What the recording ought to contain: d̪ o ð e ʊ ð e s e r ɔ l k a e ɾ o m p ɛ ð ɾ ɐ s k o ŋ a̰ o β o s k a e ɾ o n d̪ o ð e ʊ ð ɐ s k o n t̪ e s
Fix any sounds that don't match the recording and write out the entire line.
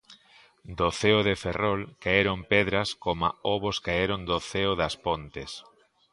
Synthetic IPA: d̪ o θ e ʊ ð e f e r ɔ l k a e ɾ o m p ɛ ð ɾ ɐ s k o m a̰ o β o s k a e ɾ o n d̪ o θ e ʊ ð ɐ s p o n t̪ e s